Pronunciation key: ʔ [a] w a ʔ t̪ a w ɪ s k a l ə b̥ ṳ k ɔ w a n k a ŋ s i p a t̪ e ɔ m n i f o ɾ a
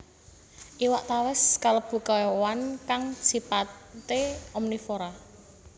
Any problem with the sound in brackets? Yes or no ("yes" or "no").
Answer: yes